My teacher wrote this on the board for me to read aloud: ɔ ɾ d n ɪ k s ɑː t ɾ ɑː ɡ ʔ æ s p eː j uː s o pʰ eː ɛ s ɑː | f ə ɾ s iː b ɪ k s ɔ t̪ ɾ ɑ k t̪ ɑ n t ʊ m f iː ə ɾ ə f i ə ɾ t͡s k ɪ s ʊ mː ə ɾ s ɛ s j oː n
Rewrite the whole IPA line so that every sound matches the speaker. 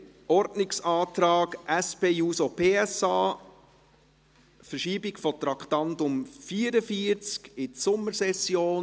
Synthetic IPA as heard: ɔ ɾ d n ɪ k s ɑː t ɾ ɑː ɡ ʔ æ s p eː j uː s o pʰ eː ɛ s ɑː | f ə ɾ ʃ iː b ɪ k f ɔ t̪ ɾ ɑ k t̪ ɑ n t ʊ m f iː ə ɾ ə f i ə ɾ t͡s k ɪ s ʊ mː ə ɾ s ɛ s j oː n